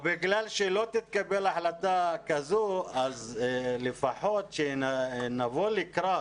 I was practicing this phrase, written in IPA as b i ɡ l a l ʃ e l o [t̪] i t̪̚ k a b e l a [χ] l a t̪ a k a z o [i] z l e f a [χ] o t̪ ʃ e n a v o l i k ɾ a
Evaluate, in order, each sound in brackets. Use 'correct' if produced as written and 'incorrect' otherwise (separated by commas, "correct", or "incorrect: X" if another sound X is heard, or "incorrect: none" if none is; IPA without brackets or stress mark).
correct, incorrect: ħ, incorrect: a, incorrect: ħ